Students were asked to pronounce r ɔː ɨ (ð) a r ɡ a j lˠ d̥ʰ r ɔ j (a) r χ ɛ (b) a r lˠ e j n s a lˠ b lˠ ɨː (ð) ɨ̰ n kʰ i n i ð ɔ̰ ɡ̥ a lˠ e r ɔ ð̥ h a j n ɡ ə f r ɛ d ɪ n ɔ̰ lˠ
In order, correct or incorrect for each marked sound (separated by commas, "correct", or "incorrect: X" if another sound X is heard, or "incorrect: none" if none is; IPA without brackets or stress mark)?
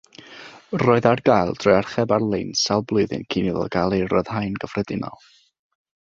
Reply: correct, correct, correct, correct